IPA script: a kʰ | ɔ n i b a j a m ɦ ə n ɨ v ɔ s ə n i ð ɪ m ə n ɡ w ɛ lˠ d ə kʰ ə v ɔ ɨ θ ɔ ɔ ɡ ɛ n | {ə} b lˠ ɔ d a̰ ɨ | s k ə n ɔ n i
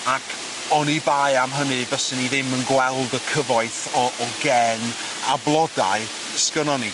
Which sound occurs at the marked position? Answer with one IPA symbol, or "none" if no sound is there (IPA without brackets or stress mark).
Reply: a